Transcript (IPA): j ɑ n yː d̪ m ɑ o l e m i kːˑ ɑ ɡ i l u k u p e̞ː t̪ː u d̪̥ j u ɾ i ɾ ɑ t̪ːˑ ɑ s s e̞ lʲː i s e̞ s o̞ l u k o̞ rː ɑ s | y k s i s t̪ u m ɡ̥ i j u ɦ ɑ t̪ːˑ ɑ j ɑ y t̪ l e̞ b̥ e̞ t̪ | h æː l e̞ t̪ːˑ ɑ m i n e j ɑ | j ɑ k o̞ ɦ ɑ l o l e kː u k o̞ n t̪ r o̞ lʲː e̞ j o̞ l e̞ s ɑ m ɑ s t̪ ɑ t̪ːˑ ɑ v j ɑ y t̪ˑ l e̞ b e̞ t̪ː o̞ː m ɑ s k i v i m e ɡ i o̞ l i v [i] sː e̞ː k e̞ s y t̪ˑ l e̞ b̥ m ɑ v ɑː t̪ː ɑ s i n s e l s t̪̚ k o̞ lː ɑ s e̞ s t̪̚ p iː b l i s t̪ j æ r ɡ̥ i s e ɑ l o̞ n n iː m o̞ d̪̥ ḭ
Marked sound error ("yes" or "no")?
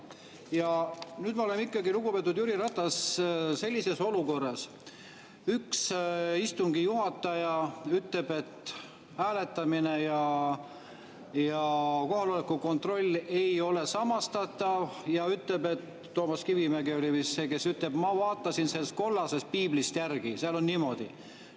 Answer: no